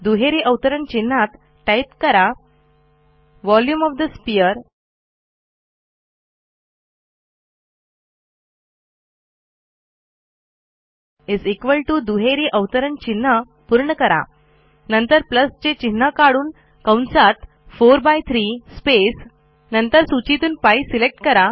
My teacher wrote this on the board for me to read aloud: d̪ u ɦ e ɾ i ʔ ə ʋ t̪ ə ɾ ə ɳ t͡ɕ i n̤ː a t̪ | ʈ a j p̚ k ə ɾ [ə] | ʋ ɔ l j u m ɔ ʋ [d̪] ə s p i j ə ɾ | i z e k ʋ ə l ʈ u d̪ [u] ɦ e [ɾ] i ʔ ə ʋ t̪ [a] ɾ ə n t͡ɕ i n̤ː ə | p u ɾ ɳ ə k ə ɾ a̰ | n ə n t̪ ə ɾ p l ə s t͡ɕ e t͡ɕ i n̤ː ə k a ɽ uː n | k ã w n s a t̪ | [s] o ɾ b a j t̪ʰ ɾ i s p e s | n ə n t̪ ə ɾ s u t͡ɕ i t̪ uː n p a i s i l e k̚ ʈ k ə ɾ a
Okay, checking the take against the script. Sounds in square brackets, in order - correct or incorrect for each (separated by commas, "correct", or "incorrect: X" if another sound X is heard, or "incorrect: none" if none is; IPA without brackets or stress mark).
incorrect: a, correct, correct, correct, incorrect: ə, incorrect: f